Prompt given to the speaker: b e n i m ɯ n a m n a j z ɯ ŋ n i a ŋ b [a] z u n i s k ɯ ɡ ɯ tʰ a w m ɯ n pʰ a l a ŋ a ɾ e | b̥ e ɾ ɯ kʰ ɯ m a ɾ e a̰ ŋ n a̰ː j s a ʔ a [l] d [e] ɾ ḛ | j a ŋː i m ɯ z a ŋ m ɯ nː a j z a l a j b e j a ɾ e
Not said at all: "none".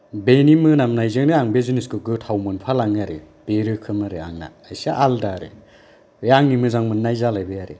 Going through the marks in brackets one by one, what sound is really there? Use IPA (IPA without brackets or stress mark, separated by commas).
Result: e, l, a